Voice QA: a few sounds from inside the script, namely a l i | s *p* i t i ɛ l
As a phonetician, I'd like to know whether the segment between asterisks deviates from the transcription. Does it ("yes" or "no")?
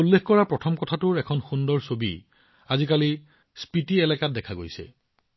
no